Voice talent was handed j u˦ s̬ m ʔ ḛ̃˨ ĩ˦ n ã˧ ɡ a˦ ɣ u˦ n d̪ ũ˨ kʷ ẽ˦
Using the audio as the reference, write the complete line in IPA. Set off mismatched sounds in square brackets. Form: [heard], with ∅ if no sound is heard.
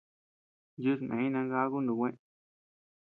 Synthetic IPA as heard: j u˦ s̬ m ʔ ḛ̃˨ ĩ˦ n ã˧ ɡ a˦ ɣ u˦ n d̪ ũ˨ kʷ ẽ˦